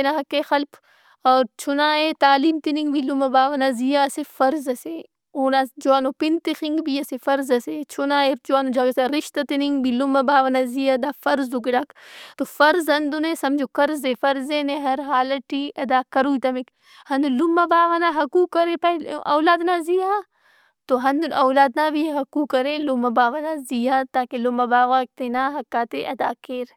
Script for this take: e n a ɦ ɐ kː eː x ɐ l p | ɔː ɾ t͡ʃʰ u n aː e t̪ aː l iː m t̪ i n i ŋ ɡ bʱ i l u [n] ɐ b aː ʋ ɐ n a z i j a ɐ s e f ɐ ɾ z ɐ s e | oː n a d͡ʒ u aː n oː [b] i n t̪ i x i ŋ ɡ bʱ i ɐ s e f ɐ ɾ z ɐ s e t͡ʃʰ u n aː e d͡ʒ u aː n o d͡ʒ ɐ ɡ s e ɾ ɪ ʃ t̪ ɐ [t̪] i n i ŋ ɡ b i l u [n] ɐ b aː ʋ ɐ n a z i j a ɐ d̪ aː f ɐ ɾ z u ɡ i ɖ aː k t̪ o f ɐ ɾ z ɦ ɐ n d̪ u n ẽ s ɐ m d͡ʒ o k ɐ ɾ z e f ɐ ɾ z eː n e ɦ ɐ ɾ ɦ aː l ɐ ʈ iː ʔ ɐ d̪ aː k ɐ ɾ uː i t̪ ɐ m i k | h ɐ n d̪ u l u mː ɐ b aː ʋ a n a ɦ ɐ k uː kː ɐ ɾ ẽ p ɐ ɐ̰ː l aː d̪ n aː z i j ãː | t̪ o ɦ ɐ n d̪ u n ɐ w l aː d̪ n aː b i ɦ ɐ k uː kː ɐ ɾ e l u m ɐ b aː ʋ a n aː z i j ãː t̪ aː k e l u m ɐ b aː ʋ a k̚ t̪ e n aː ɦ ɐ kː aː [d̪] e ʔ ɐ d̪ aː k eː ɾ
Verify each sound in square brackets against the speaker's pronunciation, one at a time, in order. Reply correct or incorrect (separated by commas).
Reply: incorrect, incorrect, correct, incorrect, incorrect